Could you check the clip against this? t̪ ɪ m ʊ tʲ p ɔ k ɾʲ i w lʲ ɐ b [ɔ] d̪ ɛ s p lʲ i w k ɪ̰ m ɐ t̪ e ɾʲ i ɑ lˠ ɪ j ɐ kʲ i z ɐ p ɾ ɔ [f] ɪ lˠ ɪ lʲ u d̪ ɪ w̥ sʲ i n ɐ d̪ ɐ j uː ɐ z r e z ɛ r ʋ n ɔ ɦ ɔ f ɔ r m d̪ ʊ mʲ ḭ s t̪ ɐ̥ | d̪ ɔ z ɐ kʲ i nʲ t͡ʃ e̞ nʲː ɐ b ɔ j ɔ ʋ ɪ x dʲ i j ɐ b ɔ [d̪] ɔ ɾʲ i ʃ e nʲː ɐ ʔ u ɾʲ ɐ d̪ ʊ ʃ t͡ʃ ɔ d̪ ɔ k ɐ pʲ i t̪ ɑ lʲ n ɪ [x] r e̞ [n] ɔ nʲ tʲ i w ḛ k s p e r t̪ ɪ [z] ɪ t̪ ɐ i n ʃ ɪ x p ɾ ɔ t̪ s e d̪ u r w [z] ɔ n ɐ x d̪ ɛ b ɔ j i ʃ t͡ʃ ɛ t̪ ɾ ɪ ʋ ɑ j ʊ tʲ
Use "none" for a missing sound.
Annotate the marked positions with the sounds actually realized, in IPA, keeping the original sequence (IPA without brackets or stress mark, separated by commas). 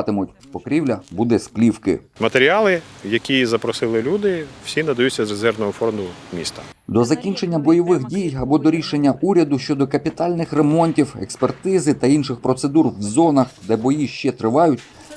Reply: u, s, d̪, x, m, z, z